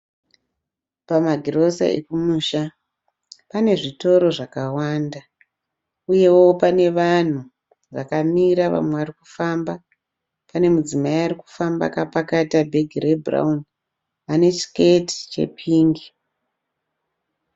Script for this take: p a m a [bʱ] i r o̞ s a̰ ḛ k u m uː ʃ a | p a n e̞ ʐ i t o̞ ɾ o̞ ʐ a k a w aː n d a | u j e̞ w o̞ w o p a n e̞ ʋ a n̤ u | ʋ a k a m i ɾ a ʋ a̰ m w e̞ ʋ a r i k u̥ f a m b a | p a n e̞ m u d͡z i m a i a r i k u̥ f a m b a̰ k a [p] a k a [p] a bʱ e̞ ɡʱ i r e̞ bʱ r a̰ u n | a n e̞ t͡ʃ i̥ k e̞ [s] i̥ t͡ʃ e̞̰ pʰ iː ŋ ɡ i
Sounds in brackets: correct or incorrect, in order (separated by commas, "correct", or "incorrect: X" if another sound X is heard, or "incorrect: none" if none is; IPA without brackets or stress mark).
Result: incorrect: ɡʱ, correct, incorrect: t, incorrect: t